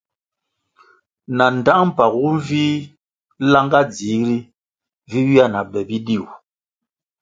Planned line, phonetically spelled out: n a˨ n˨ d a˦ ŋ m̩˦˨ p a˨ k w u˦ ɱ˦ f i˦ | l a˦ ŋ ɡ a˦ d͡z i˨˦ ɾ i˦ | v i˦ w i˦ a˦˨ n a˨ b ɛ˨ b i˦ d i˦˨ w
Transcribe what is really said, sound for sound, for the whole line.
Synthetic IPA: n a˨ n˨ d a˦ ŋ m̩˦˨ p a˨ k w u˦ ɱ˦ v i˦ | l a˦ ŋ ɡ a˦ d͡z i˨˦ ɾ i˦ | v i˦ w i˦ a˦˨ n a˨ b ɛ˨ b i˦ d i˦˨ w